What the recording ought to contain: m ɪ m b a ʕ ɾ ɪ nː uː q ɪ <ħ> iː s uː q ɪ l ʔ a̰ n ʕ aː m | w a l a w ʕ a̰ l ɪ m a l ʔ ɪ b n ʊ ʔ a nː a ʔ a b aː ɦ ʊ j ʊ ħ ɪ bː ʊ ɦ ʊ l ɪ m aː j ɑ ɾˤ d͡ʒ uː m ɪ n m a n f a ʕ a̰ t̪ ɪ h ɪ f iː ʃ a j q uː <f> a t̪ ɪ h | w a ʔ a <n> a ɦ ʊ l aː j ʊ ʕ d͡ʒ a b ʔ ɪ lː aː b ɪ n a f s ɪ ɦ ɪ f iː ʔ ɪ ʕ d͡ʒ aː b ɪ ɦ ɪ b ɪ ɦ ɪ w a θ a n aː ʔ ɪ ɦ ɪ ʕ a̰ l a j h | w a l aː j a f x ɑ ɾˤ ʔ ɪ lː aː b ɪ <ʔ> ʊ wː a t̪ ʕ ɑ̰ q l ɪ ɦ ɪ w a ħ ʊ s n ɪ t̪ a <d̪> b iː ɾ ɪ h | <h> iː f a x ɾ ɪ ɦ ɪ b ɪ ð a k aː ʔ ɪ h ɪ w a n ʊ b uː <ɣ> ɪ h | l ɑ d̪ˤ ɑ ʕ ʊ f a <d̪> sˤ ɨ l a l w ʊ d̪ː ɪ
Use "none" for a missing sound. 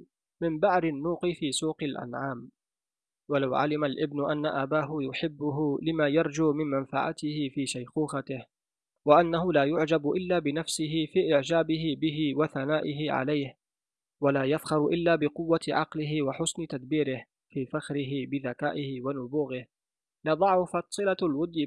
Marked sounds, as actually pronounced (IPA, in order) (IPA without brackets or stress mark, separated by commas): f, x, nː, q, d̪, f, ɣ, t̪